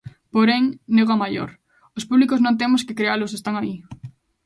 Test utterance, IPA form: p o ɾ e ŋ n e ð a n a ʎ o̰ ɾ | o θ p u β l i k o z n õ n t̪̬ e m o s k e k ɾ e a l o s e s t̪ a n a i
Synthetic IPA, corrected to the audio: p o ɾ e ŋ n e ɣ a m a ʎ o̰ ɾ | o s p u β l i k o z n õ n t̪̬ e m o s k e k ɾ e a l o s e s t̪ a ŋ a i